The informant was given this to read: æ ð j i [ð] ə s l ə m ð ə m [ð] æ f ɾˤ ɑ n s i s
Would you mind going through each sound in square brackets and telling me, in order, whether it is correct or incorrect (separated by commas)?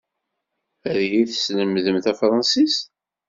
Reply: incorrect, incorrect